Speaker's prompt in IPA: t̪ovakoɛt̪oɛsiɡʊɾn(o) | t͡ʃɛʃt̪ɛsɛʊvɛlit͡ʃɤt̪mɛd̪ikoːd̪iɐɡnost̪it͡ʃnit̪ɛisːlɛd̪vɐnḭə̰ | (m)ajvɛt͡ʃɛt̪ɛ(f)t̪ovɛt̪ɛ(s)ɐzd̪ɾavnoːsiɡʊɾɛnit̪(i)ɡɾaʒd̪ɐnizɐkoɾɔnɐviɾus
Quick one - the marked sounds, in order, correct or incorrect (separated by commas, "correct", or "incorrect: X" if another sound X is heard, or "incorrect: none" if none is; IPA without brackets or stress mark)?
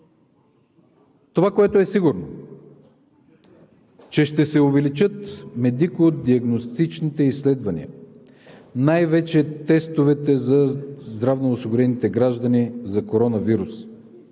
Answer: correct, incorrect: n, incorrect: s, incorrect: z, incorrect: ɛ